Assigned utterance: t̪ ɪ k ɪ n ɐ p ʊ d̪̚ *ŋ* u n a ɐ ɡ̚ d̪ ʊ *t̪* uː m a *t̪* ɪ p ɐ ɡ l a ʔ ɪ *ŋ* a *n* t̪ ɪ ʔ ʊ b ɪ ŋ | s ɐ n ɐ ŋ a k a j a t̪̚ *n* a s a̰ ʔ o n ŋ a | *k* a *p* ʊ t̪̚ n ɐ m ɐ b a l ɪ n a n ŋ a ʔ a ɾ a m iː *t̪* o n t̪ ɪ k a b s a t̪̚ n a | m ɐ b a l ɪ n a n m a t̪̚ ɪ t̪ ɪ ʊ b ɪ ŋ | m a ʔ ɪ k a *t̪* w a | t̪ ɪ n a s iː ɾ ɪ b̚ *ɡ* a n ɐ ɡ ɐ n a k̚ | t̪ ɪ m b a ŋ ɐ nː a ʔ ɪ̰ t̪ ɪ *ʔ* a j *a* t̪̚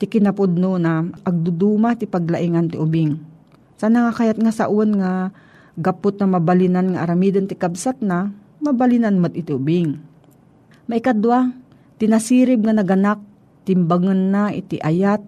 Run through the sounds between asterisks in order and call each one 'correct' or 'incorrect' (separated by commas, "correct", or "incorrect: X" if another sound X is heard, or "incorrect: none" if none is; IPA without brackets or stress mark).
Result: incorrect: n, incorrect: d̪, correct, correct, correct, incorrect: ŋ, incorrect: ɡ, correct, incorrect: d̪, incorrect: d̪, incorrect: ŋ, correct, correct